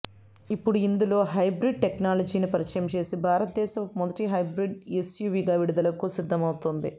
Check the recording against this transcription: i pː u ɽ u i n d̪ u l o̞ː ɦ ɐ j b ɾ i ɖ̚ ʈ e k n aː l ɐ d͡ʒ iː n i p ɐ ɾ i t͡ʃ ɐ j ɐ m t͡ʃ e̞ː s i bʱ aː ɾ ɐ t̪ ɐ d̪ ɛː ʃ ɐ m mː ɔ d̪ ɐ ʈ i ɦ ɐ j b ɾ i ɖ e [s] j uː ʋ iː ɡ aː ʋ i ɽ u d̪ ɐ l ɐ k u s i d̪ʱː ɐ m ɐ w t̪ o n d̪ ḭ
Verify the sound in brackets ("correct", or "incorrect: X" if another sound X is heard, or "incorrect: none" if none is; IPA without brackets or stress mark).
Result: correct